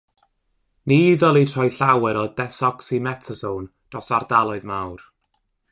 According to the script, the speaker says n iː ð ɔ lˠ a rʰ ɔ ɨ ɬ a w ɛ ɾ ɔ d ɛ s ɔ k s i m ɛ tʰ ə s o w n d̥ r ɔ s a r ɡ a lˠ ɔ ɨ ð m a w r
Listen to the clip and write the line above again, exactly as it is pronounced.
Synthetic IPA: n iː ð ɔ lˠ i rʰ ɔ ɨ ɬ a w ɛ ɾ ɔ d ɛ s ɔ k s i m ɛ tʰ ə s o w n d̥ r ɔ s a r d a lˠ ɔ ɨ ð m a w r